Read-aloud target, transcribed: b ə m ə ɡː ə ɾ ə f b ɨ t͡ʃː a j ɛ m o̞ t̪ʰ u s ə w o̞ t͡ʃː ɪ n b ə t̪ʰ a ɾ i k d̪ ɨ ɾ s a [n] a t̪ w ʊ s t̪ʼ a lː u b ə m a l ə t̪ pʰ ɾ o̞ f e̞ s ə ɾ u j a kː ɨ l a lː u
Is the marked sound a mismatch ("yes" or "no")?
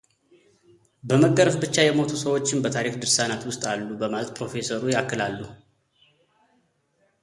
no